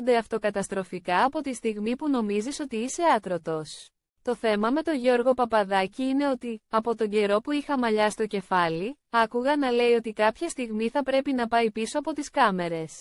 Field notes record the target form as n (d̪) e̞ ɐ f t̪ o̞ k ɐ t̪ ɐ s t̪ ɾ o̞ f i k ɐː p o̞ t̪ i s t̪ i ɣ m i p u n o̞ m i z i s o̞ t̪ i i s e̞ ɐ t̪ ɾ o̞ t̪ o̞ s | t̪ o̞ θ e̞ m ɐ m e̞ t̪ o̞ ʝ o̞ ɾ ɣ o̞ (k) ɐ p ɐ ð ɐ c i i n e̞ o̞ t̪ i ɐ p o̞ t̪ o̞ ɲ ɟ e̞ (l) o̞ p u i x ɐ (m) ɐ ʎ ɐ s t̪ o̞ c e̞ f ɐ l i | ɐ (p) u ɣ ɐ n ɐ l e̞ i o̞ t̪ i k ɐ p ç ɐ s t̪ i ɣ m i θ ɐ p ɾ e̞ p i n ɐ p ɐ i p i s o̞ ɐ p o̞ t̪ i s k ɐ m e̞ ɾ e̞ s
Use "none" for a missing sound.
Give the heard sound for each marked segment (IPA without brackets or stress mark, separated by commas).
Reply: d̪, p, ɾ, m, k